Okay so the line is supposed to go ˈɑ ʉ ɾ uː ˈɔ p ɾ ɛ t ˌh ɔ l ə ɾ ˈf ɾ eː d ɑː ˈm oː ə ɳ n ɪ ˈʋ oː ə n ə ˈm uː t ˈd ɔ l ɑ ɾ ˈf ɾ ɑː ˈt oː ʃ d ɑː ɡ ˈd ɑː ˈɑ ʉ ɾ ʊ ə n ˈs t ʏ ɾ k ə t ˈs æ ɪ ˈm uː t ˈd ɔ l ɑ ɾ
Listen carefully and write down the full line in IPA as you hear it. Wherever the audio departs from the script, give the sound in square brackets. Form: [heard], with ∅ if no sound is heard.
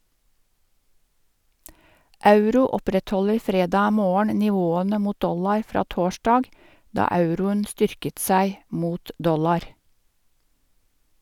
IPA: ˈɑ ʉ ɾ uː ˈɔ p ɾ ɛ t ˌh ɔ l ə ɾ ˈf ɾ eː d ɑː ˈm oː ə ɳ n ɪ ˈʋ oː ə n ə ˈm uː t ˈd ɔ l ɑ ɾ ˈf ɾ ɑː ˈt oː ʃ d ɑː ɡ ˈd ɑː ˈɑ ʉ ɾ ʊ ə n ˈs t ʏ ɾ k ə t ˈs æ ɪ ˈm uː t ˈd ɔ l ɑ ɾ